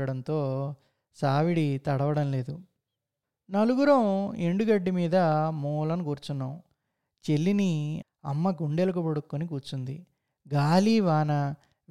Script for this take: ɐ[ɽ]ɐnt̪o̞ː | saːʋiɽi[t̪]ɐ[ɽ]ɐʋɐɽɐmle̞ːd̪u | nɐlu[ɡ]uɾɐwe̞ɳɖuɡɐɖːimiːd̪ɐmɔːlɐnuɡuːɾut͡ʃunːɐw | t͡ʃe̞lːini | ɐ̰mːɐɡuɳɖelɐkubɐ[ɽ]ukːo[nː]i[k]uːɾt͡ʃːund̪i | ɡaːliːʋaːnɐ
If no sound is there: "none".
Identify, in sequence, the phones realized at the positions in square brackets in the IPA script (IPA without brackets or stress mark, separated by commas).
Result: ɽ, t̪, ɽ, ɡ, ɽ, n, k